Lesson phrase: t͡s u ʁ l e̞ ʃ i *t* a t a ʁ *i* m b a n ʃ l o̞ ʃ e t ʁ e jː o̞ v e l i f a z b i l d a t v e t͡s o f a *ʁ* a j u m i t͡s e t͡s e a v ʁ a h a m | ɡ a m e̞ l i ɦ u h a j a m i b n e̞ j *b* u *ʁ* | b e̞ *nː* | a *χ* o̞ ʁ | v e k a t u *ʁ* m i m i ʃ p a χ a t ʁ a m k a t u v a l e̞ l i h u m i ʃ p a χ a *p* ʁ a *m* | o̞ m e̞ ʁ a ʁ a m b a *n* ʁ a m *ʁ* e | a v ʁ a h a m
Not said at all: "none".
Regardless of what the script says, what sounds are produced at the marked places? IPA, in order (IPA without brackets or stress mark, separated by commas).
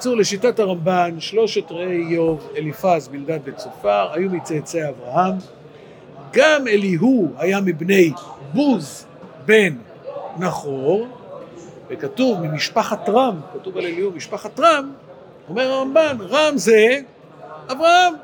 t, a, ʁ, b, z, nː, χ, v, t, m, n, z